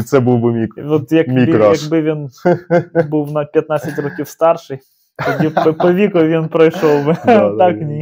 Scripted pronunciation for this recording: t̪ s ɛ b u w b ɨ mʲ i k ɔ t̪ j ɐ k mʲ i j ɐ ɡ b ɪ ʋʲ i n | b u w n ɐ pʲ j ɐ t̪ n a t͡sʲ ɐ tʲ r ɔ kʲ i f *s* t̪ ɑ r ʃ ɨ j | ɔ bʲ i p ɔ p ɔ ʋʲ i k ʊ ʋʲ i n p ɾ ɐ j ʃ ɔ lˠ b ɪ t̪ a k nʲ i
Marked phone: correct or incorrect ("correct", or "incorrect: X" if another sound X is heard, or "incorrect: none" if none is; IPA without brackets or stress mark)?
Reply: correct